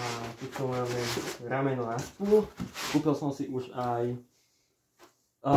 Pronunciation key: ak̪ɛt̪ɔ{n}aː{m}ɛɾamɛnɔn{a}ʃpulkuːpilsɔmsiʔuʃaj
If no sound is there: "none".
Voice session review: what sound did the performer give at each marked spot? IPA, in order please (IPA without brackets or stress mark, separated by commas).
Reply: m, m, a